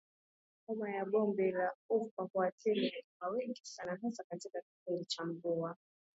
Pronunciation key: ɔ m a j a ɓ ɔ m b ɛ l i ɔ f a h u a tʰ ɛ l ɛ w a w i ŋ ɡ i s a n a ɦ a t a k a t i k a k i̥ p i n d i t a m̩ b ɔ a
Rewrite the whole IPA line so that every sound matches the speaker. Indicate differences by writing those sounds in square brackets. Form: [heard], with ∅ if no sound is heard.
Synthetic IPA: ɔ m a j a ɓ ɔ m b ɛ l [a] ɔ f a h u a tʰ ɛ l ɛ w a w [ɛ] ŋ ɡ i s a n a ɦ a [s] a k a t i k a k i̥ p i n d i [t͡ʃ] a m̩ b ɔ a